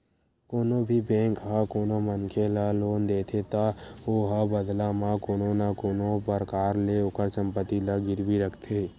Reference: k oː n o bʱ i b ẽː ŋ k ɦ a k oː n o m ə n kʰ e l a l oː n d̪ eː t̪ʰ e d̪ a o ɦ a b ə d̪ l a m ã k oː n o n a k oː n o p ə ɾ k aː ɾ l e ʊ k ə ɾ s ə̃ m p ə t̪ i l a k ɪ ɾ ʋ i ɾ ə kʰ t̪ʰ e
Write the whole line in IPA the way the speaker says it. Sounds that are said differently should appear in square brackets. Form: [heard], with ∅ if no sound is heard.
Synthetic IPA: k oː n o bʱ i b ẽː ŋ k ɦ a k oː n o m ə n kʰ e l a l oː n d̪ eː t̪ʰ e [t̪] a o ɦ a b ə d̪ l a m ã k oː n o n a k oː n o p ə ɾ k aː ɾ l e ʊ k ə ɾ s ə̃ m p ə t̪ i l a [ɡ] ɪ ɾ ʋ i ɾ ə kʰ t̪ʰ e